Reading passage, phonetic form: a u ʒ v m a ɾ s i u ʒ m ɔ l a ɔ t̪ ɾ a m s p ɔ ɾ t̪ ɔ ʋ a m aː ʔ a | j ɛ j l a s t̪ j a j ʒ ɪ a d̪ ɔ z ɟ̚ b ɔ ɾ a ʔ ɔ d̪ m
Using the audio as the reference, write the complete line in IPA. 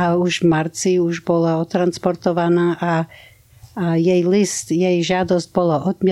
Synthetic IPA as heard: a u ʒ v m a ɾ t͡s i u ʒ b ɔ l a ɔ t̪ ɾ a n s p ɔ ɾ t̪ ɔ ʋ a n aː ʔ a | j ɛ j l i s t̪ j ɛ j ʒ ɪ a d̪ ɔ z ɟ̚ b ɔ l a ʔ ɔ d̪ m